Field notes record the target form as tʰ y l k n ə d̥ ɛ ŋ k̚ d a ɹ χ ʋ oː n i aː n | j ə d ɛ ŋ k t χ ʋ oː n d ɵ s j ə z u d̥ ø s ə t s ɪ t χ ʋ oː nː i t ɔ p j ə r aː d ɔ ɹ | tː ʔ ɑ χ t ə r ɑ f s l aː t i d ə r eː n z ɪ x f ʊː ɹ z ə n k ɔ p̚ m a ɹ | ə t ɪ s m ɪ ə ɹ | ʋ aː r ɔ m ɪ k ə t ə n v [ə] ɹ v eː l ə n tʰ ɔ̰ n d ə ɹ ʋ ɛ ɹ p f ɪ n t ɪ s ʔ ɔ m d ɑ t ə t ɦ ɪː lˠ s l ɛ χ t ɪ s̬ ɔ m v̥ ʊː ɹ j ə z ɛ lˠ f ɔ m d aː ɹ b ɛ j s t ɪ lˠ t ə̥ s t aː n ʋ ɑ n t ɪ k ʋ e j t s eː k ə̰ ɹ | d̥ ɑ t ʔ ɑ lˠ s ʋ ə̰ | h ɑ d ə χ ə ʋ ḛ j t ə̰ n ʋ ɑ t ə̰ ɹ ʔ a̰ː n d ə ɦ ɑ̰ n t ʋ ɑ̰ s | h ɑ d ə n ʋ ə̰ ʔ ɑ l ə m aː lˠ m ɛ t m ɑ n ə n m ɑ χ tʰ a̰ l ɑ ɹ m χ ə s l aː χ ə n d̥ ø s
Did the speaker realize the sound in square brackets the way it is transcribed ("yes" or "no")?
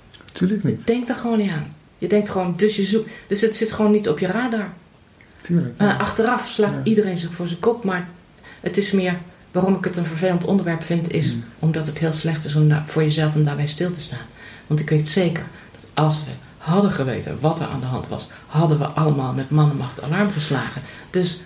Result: yes